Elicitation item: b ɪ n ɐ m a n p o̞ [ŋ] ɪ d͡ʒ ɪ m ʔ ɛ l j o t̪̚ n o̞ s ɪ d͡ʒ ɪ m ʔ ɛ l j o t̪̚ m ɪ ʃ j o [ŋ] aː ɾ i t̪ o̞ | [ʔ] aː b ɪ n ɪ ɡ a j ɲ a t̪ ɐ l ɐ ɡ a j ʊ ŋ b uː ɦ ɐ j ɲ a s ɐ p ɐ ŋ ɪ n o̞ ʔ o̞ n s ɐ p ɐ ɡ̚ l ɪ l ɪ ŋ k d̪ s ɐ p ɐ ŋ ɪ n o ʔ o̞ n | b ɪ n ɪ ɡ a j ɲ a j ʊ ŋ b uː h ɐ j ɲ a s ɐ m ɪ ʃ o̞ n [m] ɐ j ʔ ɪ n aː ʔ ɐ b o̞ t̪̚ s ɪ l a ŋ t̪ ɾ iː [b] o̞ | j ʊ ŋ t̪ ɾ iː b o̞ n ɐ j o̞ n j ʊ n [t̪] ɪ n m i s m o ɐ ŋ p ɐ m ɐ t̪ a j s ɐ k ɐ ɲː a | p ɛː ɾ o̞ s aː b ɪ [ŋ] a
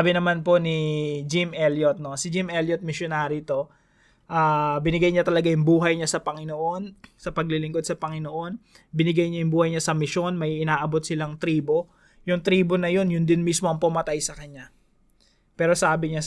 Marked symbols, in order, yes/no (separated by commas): no, no, yes, yes, yes, no, no